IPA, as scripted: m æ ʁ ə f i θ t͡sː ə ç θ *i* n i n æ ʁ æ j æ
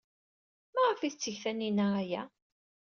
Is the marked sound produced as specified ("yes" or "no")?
no